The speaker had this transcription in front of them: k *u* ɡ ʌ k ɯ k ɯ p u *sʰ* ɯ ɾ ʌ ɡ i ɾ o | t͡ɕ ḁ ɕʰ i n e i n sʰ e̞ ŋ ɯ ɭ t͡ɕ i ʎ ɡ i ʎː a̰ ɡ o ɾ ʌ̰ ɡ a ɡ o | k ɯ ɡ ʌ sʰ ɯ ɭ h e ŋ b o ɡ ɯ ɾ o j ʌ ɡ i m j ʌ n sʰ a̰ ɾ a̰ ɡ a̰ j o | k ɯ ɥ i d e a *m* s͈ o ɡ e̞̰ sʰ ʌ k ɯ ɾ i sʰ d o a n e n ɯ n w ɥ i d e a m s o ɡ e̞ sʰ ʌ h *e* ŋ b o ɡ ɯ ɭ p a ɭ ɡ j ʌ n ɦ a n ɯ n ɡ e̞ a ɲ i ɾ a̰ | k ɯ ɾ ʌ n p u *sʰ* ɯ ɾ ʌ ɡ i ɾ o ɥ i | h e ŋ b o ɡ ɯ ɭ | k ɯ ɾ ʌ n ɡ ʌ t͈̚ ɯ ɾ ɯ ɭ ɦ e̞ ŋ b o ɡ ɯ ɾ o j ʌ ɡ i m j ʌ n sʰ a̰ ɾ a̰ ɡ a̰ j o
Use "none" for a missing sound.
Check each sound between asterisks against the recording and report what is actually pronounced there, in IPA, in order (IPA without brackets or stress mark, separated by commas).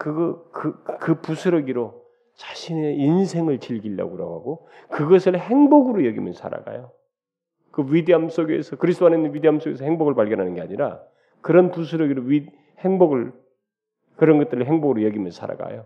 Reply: ɯ, sʰ, m, e, sʰ